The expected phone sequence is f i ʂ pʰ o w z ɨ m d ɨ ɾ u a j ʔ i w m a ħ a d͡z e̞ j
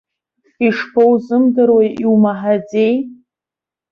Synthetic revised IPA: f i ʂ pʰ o w z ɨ m d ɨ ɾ w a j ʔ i w m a ħ a d͡z e̞ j